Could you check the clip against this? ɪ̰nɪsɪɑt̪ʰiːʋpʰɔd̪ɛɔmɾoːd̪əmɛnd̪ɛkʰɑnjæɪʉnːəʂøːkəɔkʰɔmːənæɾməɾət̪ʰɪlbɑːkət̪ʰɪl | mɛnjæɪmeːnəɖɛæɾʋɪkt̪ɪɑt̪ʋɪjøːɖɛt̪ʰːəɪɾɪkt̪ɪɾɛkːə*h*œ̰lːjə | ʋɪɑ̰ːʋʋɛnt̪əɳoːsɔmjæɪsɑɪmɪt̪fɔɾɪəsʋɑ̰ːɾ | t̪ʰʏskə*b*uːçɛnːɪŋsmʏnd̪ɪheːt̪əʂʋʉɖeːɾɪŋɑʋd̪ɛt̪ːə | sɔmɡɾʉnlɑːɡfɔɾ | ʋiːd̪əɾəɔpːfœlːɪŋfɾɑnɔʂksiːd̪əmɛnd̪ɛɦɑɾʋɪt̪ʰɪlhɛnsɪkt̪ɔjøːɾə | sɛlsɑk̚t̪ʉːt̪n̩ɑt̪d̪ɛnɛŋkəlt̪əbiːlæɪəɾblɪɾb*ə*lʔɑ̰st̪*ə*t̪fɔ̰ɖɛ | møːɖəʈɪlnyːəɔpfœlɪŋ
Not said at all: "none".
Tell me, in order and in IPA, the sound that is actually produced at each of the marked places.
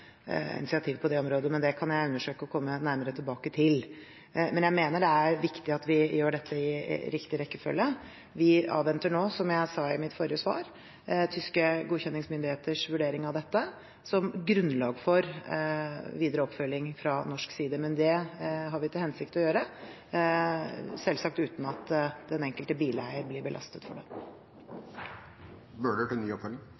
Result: f, ɡ, ə, ə

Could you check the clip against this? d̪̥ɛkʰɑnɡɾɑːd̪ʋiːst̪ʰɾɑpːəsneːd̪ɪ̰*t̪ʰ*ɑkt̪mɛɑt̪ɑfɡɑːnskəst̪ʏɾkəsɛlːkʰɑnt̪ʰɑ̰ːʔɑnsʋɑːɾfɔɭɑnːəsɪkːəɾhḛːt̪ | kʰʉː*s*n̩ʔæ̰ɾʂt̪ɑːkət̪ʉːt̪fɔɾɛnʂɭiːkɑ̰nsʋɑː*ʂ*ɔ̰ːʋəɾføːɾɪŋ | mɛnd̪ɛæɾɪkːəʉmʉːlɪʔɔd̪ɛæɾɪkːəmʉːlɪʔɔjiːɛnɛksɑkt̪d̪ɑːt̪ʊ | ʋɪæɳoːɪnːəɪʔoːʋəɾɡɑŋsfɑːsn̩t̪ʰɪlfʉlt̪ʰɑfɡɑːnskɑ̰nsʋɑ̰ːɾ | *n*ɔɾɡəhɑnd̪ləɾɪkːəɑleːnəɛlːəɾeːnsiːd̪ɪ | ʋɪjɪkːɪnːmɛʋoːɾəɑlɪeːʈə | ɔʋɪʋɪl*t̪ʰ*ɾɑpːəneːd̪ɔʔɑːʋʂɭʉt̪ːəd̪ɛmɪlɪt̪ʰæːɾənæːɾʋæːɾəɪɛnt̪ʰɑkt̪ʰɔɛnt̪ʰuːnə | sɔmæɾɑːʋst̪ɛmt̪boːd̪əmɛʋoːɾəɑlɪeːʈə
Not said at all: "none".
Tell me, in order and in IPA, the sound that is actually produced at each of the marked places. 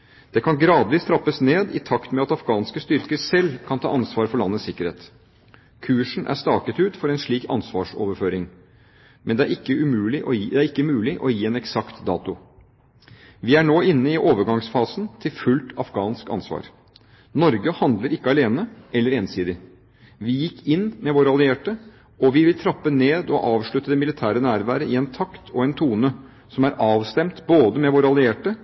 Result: t̪ʰ, ʂ, ʂ, n, t̪ʰ

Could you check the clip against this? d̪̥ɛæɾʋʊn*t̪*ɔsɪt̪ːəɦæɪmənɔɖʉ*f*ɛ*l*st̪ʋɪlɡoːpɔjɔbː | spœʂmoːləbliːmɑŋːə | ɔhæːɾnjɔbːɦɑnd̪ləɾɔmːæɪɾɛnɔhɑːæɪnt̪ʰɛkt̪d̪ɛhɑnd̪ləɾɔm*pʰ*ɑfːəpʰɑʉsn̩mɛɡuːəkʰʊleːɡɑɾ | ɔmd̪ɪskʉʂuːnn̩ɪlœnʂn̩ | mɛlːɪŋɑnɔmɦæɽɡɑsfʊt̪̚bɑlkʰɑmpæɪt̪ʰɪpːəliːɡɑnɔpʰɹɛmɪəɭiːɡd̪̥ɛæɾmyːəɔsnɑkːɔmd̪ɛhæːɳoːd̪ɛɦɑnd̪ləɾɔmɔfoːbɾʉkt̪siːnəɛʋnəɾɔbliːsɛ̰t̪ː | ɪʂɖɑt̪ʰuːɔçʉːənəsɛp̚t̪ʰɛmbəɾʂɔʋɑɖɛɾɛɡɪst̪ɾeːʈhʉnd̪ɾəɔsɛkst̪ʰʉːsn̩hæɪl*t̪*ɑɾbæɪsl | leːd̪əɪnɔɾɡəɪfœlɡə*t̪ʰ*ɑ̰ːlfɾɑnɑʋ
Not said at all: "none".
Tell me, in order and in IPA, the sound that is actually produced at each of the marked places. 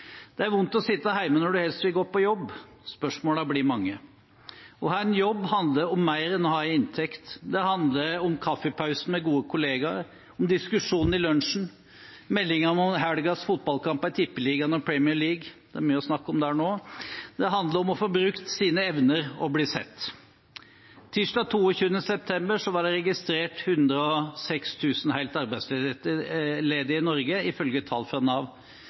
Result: t̪, h, l, kʰ, t̪, t̪ʰ

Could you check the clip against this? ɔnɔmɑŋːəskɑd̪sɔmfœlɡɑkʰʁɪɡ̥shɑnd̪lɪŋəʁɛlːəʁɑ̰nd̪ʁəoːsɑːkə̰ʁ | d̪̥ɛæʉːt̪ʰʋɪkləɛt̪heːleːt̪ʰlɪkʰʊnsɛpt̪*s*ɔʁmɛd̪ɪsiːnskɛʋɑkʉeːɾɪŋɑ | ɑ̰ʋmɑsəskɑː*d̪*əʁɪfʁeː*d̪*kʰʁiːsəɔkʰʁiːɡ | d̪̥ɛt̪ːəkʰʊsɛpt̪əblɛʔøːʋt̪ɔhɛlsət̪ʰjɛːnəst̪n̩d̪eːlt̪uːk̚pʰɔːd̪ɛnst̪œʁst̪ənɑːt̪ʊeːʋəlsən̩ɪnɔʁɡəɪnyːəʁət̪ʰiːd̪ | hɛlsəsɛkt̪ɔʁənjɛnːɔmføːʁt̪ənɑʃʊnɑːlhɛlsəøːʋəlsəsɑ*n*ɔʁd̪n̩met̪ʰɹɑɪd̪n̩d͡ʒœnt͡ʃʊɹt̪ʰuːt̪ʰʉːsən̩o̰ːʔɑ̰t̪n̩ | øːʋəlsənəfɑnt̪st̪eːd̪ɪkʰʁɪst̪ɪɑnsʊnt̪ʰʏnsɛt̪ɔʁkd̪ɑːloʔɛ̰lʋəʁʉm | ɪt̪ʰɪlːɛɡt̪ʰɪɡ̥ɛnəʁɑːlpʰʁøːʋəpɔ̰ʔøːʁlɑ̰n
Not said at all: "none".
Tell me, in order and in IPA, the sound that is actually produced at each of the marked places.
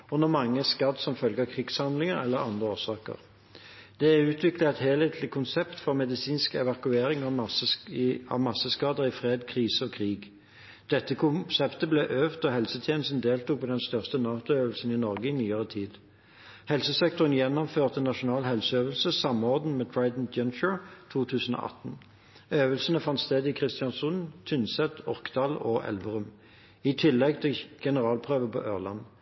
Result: f, d̪, d̪, m

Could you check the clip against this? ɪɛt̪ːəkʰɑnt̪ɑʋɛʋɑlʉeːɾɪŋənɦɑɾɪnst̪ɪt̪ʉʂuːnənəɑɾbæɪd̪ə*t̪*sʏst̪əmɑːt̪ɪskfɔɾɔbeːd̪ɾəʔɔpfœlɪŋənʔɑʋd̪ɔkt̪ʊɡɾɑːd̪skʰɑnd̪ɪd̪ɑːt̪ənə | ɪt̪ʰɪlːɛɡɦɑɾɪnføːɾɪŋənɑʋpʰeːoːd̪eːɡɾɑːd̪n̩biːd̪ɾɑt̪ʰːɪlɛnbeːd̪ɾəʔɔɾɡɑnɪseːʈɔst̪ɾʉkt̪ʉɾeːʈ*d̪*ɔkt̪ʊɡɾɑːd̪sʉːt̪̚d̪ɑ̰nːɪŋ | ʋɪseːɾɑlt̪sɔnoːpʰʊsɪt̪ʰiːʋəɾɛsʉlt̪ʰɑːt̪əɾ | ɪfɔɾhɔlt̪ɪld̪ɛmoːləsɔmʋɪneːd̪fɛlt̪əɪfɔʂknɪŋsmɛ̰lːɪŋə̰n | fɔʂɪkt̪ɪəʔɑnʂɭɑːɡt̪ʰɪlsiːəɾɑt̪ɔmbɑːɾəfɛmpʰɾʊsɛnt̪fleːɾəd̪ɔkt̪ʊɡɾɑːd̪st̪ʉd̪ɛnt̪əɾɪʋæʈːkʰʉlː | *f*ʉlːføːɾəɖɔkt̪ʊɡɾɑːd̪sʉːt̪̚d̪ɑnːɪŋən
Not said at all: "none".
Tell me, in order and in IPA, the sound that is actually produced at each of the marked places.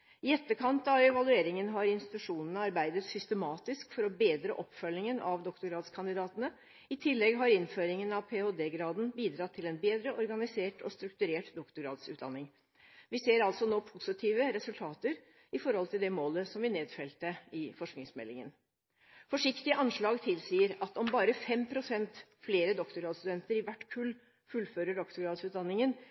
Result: t̪, d̪, f

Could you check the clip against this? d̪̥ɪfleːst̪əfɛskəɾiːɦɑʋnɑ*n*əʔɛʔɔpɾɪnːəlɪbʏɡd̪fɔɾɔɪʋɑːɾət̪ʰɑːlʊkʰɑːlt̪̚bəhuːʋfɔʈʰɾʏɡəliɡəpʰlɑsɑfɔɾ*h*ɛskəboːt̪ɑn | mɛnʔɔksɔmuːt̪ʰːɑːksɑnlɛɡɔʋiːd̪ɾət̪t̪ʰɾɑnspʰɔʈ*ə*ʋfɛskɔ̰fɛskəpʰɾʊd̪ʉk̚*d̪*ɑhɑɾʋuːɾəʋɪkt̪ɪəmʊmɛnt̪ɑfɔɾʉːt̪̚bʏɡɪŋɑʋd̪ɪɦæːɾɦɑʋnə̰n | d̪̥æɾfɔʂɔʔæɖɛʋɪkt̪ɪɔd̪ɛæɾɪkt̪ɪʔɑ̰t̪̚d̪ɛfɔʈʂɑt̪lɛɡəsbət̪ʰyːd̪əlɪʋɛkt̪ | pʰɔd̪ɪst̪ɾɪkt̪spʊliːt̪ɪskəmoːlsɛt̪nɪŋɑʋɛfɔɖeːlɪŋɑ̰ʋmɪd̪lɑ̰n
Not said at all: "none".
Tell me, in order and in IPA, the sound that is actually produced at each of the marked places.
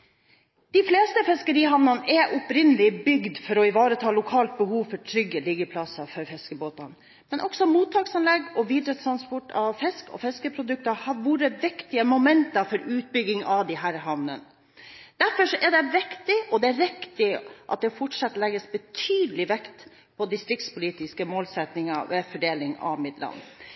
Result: n, f, ɑ, t̪

